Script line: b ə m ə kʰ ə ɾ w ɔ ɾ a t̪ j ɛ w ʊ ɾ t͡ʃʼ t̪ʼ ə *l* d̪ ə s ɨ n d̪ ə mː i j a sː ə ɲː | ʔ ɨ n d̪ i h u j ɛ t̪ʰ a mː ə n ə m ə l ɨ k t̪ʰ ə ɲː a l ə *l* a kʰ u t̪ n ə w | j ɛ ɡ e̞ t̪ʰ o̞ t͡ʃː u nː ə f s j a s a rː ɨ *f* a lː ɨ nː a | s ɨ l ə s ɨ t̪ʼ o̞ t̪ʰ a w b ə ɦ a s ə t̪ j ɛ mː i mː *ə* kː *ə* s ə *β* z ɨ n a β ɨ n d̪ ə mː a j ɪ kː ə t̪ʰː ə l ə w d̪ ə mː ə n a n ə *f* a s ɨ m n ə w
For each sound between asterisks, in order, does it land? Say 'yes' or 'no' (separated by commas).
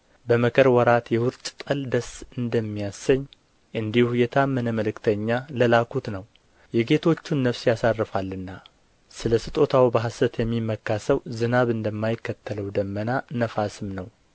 yes, yes, yes, yes, no, no, yes